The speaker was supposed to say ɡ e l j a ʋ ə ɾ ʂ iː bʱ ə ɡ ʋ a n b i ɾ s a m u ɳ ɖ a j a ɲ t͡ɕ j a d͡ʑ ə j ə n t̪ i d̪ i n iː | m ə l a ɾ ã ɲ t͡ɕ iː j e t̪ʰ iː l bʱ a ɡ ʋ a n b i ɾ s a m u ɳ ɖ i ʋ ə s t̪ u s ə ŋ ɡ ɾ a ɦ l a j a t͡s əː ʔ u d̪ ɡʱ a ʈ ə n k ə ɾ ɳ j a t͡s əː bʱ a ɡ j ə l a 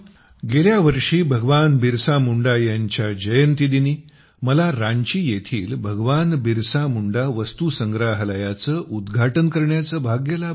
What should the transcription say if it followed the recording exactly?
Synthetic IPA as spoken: ɡ e l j a ʋ ə ɾ ʂ iː bʱ ə ɡ ʋ a n b i ɾ s a m u ɳ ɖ a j a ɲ t͡ɕ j a d͡ʑ ə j ə n t̪ i d̪ i n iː | m ə l a ɾ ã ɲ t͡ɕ iː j e t̪ʰ iː l bʱ ə ɡ ʋ a n b i ɾ s a m u ɳ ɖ a ʋ ə s t̪ u s ə ŋ ɡ ɾ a ɦ l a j a t͡s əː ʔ u d̪ ɡʱ a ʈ ə n k ə ɾ ɳ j a t͡s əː bʱ a ɡ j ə l a